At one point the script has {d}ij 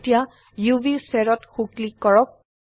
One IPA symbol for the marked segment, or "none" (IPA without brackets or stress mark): t